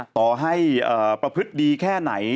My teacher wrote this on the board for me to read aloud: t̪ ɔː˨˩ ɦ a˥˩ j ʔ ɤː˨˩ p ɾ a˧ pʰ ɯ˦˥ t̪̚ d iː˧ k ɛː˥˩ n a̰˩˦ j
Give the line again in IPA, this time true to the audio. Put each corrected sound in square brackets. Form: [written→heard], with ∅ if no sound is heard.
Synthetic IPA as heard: t̪ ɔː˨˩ ɦ a˥˩ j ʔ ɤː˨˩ p ɾ a˧ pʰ ɯ˦˥ t̪̚ d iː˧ [k→kʰ] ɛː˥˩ n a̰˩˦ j